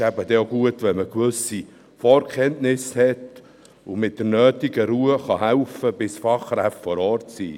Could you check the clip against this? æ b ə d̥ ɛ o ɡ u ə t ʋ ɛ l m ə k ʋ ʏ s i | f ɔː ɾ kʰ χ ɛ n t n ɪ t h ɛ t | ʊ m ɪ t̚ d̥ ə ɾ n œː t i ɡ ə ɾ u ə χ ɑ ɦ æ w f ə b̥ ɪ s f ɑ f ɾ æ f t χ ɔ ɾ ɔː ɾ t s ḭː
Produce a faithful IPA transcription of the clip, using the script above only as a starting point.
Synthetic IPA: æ b ə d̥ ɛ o ɡ u ə t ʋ ɛ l m ə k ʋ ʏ s i | f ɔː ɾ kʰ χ ɛ n t n ɪ s h ɛ t | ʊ m ɪ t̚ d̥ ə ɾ n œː t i ɡ ə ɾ u ə χ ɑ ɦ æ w f ə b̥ ɪ s f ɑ χ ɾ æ f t f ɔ ɾ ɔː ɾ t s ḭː